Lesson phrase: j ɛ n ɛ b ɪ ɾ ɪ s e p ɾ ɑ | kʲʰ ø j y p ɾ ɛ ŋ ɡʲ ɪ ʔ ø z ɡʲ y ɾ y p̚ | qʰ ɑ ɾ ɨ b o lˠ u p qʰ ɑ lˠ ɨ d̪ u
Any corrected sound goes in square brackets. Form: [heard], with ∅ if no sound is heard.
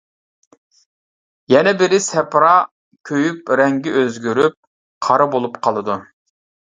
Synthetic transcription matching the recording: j ɛ n ɛ b ɪ ɾ ɪ s [ɛ] p ɾ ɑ | kʲʰ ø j y p ɾ ɛ ŋ ɡʲ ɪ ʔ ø z ɡʲ y ɾ y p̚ | qʰ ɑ ɾ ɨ b o lˠ u p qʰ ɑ lˠ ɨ d̪ u